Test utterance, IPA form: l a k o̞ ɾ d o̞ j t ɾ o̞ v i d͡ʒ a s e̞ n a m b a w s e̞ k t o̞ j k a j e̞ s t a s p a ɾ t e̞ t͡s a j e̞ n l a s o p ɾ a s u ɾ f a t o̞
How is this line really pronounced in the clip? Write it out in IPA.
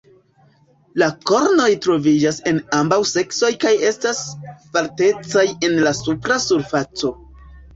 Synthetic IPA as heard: l a k o̞ ɾ n o̞ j t ɾ o̞ v i d͡ʒ a s e̞ n a m b a w s e̞ k s o̞ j k a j e̞ s t a s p a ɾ t e̞ t͡s a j e̞ n l a s u p ɾ a s u ɾ f a t͡s o̞

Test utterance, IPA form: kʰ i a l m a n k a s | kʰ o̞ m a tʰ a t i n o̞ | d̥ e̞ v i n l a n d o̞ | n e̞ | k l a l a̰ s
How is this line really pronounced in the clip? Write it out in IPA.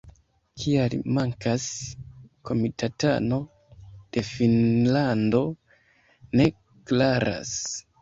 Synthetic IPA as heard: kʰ i a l m a ŋ k a s | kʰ o̞ m i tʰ a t a n o̞ | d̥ e̞ f i n l a n d o̞ | n e̞ | k l a ɾ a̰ s

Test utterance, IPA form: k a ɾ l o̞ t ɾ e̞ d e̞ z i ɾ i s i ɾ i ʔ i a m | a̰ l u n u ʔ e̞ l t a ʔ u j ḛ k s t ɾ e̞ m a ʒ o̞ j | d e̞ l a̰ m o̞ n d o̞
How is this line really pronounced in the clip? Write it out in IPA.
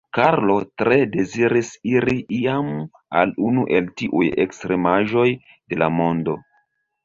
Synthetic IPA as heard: k a ɾ l o̞ t ɾ e̞ d e̞ z i ɾ i s i ɾ i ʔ i a m | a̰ l u n u ʔ e̞ l t i ʔ u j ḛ k s t ɾ e̞ m a ʒ o̞ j | d e̞ l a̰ m o̞ n d o̞

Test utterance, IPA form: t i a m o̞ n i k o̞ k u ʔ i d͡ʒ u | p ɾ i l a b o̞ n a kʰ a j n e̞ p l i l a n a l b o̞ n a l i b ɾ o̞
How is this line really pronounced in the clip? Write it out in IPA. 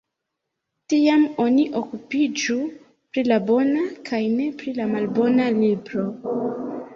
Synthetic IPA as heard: t i a m o̞ n i ʔ o̞ k u p i d͡ʒ u | p ɾ i l a b o̞ n a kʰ a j n e̞ p ɾ i l a m a l b o̞ n a l i b ɾ o̞

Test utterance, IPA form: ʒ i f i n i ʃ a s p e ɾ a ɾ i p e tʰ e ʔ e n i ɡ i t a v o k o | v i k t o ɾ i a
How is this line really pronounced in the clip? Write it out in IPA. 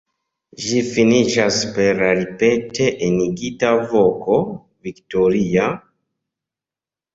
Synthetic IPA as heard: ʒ i f i n i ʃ a s p e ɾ a ɾ i p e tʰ e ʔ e n i ɡ i t a v o k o | v i k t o ɾ i a

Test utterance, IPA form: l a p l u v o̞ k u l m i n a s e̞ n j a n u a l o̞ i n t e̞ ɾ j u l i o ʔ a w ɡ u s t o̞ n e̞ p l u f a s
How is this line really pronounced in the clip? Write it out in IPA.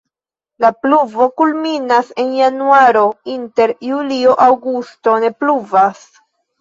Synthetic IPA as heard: l a p l u v o̞ k u l m i n a s e̞ n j a n u a ɾ o̞ i n t e̞ ɾ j u l i o ʔ a w ɡ u s t o̞ n e̞ p l u v a s

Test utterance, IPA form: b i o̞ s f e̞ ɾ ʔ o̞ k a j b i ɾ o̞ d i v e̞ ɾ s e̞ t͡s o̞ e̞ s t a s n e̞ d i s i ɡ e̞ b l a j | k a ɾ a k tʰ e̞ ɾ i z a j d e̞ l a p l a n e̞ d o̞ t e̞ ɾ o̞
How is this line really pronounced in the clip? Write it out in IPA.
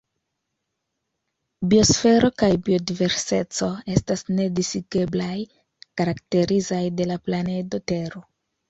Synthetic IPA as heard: b i o̞ s f e̞ ɾ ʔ o̞ k a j b i o̞ d i v e̞ ɾ s e̞ t͡s o̞ e̞ s t a s n e̞ d i s i ɡ e̞ b l a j | k a ɾ a k t e̞ ɾ i z a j d e̞ l a p l a n e̞ d o̞ t e̞ ɾ o̞

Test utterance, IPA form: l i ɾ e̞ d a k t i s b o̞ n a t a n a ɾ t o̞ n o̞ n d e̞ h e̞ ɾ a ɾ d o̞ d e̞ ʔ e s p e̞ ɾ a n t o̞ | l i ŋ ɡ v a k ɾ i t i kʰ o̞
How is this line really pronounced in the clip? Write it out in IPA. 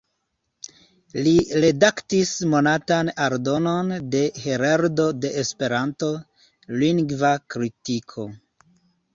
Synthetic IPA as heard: l i ɾ e̞ d a k t i s m o̞ n a t a n a ɾ d o̞ n o̞ n d e̞ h e̞ ɾ a ɾ d o̞ d e̞ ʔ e s p e̞ ɾ a n t o̞ | l i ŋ ɡ v a k ɾ i t i kʰ o̞

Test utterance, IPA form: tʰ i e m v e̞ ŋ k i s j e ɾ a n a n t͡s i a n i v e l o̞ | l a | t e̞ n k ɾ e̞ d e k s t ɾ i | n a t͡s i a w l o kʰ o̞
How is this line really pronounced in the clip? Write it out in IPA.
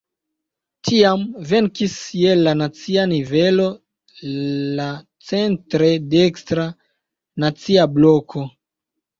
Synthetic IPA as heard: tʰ i a m v e̞ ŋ k i s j e l a n a t͡s i a n i v e l o̞ | l a | t͡s e̞ n t ɾ e̞ d e k s t ɾ a | n a t͡s i a b l o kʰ o̞

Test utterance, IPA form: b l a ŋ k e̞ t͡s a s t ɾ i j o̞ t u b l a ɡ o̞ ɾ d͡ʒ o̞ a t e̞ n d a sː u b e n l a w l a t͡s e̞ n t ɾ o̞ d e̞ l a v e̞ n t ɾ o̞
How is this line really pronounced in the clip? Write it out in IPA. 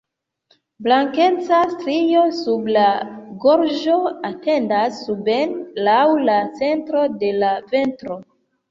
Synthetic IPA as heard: b l a ŋ k e̞ t͡s a s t ɾ i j o̞ s u b l a ɡ o̞ ɾ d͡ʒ o̞ a t e̞ n d a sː u b e n l a w l a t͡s e̞ n t ɾ o̞ d e̞ l a v e̞ n t ɾ o̞

